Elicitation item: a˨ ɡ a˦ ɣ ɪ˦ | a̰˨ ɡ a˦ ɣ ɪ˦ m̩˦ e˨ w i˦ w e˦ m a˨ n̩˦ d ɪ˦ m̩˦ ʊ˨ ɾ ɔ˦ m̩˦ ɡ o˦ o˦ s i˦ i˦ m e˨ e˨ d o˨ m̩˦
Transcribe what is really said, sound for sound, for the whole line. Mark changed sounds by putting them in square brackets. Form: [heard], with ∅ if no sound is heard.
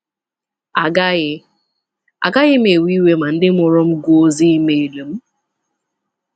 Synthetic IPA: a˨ ɡ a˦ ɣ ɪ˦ | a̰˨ ɡ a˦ ɣ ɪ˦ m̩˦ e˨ w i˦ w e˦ m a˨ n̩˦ d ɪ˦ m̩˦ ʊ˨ ɾ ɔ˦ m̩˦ ɡ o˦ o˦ [z] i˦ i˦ m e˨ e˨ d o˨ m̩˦